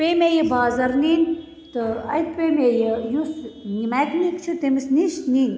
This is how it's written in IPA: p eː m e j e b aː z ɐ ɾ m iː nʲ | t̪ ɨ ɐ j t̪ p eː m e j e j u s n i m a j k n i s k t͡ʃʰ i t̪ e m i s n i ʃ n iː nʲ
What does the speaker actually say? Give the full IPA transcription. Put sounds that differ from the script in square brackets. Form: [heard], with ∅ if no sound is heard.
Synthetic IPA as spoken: p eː m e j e b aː z ɐ ɾ [n] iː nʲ | t̪ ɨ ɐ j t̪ p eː m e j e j u s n i m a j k n i [∅] k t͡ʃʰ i t̪ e m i s n i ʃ n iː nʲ